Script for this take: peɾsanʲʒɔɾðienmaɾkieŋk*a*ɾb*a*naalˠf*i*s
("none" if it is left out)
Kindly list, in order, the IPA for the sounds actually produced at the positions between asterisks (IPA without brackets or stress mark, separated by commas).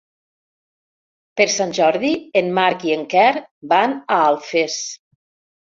ɛ, a, e